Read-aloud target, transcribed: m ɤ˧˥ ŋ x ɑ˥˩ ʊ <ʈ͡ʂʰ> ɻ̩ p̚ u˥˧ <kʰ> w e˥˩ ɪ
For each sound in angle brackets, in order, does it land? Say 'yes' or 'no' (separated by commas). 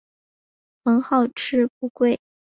yes, no